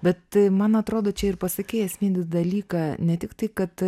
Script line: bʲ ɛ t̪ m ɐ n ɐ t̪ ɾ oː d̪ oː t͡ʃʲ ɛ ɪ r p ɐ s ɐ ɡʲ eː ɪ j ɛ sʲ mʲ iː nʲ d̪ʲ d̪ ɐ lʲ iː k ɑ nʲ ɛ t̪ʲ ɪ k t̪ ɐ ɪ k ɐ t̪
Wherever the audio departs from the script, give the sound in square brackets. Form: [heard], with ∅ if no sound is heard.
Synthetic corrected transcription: bʲ ɛ t̪ m ɐ n ɐ t̪ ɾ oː d̪ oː t͡ʃʲ ɛ ɪ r p ɐ s ɐ [kʲ] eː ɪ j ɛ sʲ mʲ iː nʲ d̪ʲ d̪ ɐ lʲ iː k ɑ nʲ ɛ t̪ʲ ɪ k t̪ ɐ ɪ k ɐ t̪